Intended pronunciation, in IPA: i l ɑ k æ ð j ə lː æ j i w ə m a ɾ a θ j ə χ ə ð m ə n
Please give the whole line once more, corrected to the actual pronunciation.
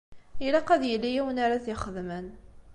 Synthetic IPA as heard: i l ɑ q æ ð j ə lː i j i w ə n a ɾ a θ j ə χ ə ð m ə n